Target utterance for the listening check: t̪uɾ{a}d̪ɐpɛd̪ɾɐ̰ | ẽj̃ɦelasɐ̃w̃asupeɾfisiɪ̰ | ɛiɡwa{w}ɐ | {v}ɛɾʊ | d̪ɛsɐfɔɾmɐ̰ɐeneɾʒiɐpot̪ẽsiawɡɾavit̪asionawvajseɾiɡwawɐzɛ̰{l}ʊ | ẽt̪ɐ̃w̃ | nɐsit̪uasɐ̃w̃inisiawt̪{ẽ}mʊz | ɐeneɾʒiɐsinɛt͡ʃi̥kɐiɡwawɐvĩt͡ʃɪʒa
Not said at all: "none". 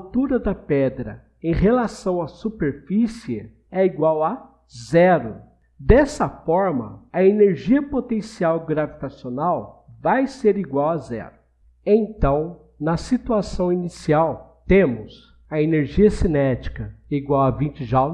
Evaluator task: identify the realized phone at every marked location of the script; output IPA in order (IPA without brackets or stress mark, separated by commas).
ɐ, w, z, ɾ, ẽ